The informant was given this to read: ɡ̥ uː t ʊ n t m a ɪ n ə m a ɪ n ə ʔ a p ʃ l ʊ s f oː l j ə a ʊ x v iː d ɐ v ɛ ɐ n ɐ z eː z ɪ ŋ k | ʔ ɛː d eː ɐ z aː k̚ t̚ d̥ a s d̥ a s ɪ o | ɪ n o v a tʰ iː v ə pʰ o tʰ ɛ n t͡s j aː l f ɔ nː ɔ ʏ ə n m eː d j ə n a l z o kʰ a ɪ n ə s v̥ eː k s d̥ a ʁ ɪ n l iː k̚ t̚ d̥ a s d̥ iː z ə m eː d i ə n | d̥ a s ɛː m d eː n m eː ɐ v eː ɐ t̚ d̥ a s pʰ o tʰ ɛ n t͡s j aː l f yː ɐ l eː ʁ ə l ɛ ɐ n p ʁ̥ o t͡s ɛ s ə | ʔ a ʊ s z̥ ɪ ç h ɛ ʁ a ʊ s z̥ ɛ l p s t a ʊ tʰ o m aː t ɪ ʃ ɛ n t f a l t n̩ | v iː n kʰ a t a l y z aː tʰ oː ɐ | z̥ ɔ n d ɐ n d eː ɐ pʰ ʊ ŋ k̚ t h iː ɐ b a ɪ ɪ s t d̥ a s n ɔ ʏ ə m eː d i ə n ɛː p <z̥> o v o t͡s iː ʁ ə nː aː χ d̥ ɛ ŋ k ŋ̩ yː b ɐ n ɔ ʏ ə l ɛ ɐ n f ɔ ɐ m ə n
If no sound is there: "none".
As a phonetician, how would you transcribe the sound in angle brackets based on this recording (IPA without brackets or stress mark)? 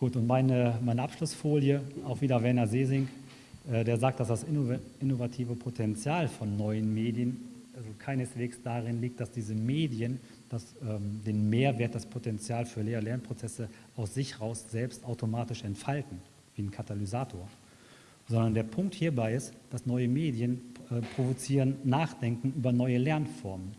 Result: ʁ̥